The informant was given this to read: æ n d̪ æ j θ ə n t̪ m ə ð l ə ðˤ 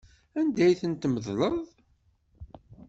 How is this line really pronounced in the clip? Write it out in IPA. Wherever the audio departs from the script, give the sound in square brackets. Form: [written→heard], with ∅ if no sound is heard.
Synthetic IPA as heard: æ n d̪ æ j θ ə n t̪ m ə ð l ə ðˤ